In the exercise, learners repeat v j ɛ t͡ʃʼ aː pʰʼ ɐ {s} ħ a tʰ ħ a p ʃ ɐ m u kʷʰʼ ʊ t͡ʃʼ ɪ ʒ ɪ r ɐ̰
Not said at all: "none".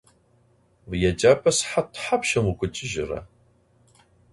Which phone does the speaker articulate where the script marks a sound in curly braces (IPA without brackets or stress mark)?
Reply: s